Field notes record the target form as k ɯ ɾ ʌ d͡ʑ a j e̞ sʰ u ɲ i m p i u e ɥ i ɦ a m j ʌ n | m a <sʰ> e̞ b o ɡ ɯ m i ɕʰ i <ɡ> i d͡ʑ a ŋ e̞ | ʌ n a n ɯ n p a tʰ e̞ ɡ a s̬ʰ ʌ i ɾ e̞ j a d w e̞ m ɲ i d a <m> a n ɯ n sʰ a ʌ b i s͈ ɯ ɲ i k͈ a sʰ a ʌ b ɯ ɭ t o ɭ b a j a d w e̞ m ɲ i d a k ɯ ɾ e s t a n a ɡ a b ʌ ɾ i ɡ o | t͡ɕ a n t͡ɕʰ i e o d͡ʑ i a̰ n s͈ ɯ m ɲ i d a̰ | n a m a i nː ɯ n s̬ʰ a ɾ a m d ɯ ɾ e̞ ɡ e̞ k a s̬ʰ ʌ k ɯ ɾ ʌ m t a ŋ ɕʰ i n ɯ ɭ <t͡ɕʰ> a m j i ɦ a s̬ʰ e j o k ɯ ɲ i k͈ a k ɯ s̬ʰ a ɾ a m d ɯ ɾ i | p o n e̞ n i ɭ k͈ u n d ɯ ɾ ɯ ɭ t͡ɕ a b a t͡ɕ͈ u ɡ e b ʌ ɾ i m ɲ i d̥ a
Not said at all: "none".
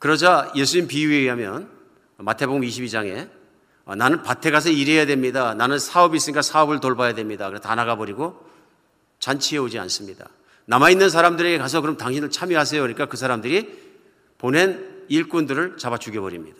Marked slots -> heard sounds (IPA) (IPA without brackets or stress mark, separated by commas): tʰ, b, n, t͡ɕʰ